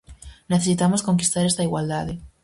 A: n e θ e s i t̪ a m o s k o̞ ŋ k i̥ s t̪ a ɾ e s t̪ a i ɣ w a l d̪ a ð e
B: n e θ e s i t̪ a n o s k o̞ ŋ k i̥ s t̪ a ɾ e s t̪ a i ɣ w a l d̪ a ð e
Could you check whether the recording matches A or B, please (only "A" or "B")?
A